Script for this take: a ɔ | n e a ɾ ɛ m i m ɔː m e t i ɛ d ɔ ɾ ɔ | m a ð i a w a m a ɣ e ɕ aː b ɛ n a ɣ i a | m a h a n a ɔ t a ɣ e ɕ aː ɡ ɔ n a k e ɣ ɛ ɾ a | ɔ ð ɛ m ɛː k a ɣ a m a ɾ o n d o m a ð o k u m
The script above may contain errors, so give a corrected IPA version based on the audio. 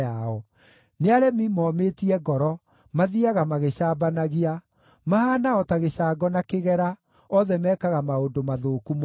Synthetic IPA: a ɔ | n e a ɾ ɛ m i m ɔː m e t i ɛ ɡ ɔ ɾ ɔ | m a ð i a ɣ a m a ɣ e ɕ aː b a n a ɣ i a | m a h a n a ɔ t a ɣ e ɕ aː ɡ ɔ n a k e ɣ ɛ ɾ a | ɔ ð ɛ m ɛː k a ɣ a m a o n d o m a ð o k u m

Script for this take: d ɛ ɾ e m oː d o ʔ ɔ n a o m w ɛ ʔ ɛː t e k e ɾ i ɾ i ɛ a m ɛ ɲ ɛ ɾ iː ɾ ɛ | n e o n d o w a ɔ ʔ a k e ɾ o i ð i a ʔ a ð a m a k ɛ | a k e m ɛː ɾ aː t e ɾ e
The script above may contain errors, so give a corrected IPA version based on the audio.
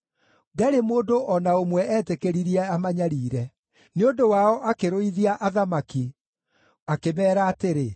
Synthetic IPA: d ɛ ɾ e m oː d o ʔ ɔ n a o m w ɛ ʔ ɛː t e k e ɾ i ɾ i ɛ a m a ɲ a ɾ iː ɾ ɛ | n e o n d o w a ɔ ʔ a k e ɾ o i ð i a ʔ a ð a m a k i | a k e m ɛː ɾ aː t e ɾ e

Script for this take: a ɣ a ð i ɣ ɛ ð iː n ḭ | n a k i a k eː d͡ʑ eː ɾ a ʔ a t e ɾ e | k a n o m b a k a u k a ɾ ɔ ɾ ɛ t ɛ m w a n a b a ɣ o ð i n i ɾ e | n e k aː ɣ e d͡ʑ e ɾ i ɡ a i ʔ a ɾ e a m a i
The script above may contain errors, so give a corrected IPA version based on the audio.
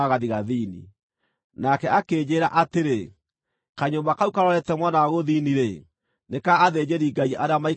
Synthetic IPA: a ɣ a ð i ɣ a ð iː n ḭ | n a k ɛ a k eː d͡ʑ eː ɾ a ʔ a t e ɾ e | k a ɲ o m b a k a u k a ɾ ɔ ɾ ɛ t ɛ m w a n a w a ɣ o ð i n i ɾ e | n e k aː ð e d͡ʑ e ɾ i ɡ a i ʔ a ɾ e a m a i

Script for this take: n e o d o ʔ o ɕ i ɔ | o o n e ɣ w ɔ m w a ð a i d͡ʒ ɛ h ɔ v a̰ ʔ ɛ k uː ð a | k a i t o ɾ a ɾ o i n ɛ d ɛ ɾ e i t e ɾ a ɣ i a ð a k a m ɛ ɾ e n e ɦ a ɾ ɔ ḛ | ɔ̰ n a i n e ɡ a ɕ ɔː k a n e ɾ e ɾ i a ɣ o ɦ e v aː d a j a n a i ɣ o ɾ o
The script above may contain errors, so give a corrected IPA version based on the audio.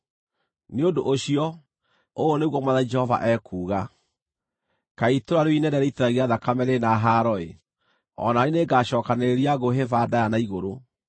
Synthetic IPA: n e o d o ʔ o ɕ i ɔ | o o n e ɣ w ɔ m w a ð a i d͡ʒ ɛ h ɔ v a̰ ʔ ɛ k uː ɣ a | k a i t o ɾ a ɾ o i n ɛ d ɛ ɾ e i t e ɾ a ɣ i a ð a k a m ɛ ɾ e n a ɦ a ɾ ɔ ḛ | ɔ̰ n a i n e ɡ a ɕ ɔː k a n e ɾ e ɾ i a ɣ o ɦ e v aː d a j a n a i ɣ o ɾ o

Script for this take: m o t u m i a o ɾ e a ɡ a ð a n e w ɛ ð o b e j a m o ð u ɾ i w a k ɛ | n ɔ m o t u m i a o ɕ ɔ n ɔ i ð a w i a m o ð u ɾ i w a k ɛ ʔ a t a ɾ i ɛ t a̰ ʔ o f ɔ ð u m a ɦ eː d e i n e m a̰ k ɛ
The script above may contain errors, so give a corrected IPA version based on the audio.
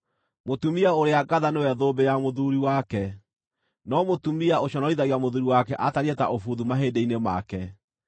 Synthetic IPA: m o t u m i a o ɾ e a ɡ a ð a n e w ɛ ð o b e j a m o ð u ɾ i w a k ɛ | n ɔ m o t u m i a o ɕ ɔ n ɔ i ð a ɣ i a m o ð u ɾ i w a k ɛ ʔ a t a ɾ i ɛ t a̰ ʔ o f u ð u m a ɦ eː d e i n e m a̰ k ɛ

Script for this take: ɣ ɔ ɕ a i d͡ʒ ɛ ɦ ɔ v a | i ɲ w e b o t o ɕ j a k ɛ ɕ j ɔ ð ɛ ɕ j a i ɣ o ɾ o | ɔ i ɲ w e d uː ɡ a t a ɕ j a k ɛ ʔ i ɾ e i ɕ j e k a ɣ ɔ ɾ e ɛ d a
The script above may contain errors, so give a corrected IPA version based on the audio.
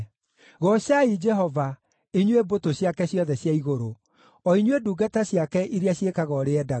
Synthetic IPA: ɣ ɔ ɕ a i d͡ʒ ɛ ɦ ɔ v a | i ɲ w e b o t o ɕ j a k ɛ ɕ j ɔ ð ɛ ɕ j a i ɣ o ɾ o | ɔ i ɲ w e d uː ɡ a t a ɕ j a k ɛ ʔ i ɾ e a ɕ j e k a ɣ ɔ ɾ e ɛ d a

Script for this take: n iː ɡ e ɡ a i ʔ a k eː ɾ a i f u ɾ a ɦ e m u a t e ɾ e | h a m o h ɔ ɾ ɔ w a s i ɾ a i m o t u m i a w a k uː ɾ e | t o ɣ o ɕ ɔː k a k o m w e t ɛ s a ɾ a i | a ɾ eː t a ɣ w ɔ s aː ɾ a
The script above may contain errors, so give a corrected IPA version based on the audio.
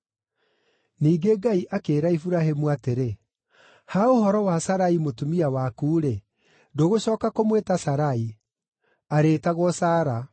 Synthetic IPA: n iː ɡ e ɡ a i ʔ a k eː ɾ a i f u ɾ a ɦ e m u a t e ɾ e | h a o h ɔ ɾ ɔ w a s a ɾ a i m o t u m i a w a k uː ɾ e | d o ɣ o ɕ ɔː k a k o m w e t a s a ɾ a i | a ɾ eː t a ɣ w ɔ s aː ɾ a

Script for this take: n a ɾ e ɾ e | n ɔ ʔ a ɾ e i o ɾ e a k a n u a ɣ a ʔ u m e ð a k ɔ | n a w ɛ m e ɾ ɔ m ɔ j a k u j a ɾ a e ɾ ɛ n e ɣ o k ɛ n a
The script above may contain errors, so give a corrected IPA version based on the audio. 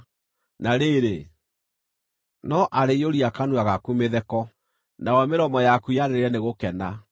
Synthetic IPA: n a ɾ e ɾ e | n ɔ ʔ a ɾ e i o ɾ i a k a n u a ɣ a k u m e ð ɛ k ɔ | n a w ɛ m e ɾ ɔ m ɔ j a k u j a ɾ e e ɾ ɛ n e ɣ o k ɛ n a

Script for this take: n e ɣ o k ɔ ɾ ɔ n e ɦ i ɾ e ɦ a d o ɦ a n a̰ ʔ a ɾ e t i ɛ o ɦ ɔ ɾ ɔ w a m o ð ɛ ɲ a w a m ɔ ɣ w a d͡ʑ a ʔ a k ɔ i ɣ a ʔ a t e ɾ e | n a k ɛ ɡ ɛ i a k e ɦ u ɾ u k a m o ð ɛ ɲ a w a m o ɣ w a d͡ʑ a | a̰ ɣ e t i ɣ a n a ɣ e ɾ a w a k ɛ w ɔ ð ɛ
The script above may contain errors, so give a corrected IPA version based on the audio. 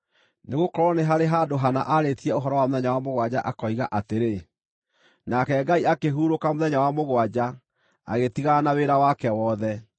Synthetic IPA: n e ɣ o k ɔ ɾ ɔ n e ɦ a ɾ e ɦ a d o ɦ a n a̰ ʔ a ɾ e t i ɛ o ɦ ɔ ɾ ɔ w a m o ð ɛ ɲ a w a m o ɣ w a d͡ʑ a ʔ a k ɔ i ɣ a ʔ a t e ɾ e | n a k ɛ ɡ a i a k e ɦ u ɾ o k a m o ð ɛ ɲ a w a m o ɣ w a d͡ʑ a | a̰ ɣ e t i ɣ a n a w e ɾ a w a k ɛ w ɔ ð ɛ

